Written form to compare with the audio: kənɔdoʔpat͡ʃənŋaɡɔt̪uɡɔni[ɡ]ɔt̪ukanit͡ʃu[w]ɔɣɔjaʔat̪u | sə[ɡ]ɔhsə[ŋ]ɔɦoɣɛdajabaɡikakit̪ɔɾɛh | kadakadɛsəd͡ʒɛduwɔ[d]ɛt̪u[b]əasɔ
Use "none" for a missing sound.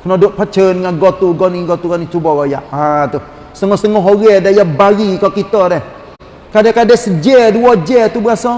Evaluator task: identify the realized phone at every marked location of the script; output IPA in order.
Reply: ɡ, b, ŋ, ŋ, d͡ʒ, b

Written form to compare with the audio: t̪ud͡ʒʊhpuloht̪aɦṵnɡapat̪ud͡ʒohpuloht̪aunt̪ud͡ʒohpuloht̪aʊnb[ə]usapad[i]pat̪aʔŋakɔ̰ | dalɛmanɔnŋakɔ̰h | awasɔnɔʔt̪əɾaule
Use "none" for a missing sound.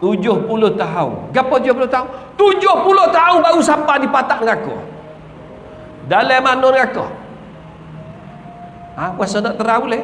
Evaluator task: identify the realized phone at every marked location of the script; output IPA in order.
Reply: a, i

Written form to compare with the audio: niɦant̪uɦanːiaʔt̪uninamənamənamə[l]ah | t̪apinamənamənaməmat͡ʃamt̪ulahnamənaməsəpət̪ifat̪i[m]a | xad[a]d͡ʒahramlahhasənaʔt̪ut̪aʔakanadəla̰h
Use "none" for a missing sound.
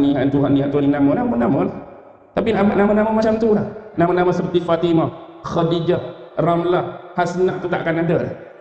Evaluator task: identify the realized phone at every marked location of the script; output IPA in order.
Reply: l, m, i

